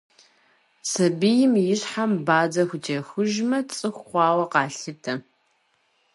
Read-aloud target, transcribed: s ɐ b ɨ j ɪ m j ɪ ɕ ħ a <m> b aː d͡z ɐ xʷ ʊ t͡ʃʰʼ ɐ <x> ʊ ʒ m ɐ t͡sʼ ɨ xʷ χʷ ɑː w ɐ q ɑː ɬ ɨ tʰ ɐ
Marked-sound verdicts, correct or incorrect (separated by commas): correct, correct